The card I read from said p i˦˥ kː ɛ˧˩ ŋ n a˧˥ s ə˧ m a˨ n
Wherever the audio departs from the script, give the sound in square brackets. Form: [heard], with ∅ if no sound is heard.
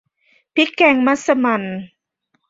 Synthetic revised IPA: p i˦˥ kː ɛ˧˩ ŋ [m] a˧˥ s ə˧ m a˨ n

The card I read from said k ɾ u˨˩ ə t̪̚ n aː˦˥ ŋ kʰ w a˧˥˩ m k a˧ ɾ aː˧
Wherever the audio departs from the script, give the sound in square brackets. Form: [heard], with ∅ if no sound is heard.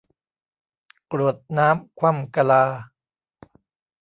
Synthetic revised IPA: k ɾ u˨˩ ə t̪̚ n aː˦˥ [m] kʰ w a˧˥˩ m k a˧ [l] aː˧

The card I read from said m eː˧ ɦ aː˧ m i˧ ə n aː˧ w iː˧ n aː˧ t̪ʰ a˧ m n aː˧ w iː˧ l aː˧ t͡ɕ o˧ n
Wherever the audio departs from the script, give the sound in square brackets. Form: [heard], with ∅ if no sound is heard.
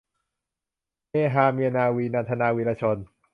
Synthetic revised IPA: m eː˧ ɦ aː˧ m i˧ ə n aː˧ w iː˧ n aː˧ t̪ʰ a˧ [∅] n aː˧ w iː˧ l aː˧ [t͡ɕʰ] o˧ n

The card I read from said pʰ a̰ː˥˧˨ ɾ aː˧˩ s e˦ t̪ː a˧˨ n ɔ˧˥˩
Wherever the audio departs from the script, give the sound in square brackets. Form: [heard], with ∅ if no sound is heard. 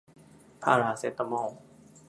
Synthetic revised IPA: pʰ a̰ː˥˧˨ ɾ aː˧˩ s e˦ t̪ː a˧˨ [m] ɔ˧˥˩

